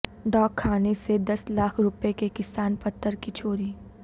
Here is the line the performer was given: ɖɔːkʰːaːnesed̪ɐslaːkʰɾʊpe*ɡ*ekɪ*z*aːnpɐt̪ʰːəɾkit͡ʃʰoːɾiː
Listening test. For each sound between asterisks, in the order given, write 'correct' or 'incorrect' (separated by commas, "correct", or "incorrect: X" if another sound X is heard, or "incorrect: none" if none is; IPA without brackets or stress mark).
incorrect: k, incorrect: s